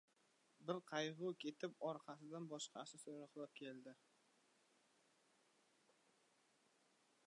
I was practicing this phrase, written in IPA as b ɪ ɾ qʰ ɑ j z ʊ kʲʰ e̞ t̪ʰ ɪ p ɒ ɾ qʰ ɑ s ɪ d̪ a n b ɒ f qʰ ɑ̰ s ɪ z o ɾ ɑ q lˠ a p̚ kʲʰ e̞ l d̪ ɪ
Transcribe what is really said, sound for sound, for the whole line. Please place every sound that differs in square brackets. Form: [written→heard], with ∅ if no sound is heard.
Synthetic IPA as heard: b ɪ ɾ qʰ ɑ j [z→ʁ] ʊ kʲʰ e̞ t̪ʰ ɪ p ɒ ɾ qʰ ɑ s ɪ d̪ a n b ɒ [f→ʃ] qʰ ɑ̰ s ɪ [z→s] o ɾ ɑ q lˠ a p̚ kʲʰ e̞ l d̪ ɪ